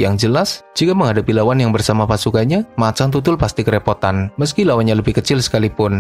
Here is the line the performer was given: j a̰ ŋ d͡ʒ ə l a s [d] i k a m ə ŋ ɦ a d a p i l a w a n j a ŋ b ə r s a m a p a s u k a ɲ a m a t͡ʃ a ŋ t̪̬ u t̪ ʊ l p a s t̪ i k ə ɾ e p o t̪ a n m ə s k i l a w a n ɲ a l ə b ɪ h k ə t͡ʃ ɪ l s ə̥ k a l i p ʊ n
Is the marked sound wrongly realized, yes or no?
yes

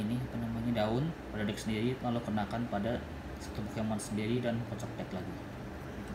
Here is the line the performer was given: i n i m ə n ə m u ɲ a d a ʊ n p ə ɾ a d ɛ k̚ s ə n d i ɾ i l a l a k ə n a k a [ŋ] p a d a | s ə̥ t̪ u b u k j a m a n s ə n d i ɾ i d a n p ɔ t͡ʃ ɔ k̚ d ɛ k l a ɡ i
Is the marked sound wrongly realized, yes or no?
yes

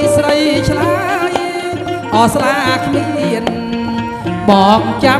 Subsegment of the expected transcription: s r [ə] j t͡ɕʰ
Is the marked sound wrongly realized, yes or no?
no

